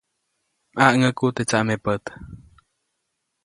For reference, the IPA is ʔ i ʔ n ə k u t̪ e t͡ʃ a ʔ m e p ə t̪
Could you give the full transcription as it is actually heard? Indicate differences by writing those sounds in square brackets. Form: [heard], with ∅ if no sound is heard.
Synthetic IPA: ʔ [a] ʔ [ŋ] ə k u t̪ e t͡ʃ a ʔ m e p ə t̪